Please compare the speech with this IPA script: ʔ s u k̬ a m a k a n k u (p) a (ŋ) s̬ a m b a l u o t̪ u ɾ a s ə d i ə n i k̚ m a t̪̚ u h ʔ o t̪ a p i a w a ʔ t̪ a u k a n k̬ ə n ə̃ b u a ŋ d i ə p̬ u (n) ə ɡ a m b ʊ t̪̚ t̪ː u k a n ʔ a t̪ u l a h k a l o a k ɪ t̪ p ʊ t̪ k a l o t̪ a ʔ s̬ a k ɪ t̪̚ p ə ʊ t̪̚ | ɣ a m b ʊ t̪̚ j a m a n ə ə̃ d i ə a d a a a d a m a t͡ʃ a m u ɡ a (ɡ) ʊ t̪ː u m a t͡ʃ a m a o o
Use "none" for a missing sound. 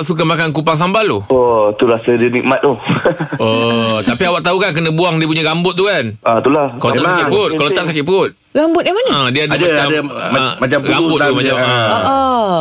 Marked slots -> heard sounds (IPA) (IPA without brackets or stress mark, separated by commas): p, ŋ, ɲ, b